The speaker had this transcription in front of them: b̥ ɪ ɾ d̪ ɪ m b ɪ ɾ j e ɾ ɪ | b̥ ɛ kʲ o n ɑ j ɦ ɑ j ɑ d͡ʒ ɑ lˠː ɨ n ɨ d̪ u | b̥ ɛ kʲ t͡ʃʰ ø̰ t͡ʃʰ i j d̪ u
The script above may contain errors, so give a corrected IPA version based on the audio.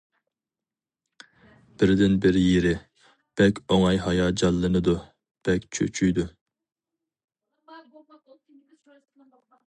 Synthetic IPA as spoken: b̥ ɪ ɾ d̪ ɪ n b ɪ ɾ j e ɾ ɪ | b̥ ɛ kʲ o ŋ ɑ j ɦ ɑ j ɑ d͡ʒ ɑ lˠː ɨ n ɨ d̪ u | b̥ ɛ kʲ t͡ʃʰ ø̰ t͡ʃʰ y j d̪ u